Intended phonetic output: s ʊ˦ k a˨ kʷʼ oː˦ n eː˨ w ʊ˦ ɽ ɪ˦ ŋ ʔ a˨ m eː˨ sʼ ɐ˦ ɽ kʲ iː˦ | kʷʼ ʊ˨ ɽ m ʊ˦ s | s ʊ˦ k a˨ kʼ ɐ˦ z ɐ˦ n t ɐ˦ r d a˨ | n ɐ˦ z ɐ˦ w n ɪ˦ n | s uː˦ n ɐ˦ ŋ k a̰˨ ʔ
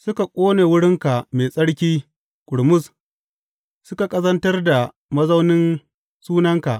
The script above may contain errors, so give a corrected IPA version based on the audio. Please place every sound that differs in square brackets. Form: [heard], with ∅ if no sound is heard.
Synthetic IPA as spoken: s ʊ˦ k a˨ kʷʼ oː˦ n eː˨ w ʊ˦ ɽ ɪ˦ ŋ [k] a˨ m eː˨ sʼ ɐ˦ ɽ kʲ iː˦ | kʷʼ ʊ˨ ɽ m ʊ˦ s | s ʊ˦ k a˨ kʼ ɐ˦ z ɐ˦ n t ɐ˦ r d a˨ | [m] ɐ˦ z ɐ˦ w n ɪ˦ n | s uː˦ n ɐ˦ ŋ k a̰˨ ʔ